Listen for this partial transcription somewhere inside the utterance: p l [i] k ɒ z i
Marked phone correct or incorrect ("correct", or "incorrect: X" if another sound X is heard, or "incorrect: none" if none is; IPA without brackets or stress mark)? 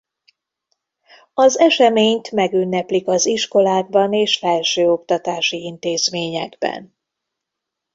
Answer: correct